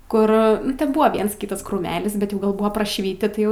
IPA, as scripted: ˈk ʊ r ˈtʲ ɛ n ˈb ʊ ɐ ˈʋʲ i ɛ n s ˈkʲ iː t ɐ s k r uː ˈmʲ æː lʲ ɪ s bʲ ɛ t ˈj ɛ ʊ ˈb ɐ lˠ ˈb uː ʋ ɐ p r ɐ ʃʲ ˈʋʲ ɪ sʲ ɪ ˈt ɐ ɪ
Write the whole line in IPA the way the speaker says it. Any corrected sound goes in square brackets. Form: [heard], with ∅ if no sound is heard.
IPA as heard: ˈk ʊ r ˈtʲ ɛ n ˈb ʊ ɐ ˈʋʲ i ɛ n s ˈkʲ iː t ɐ s k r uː ˈmʲ æː lʲ ɪ s bʲ ɛ t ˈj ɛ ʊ [ˈɡ] ɐ lˠ ˈb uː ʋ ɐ p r ɐ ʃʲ ˈʋʲ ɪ [tʲ] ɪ ˈt ɐ ɪ